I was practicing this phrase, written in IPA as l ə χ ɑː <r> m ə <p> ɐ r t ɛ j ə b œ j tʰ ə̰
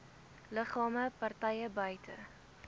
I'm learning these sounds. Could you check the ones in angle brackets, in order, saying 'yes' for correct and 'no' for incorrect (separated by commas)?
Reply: no, yes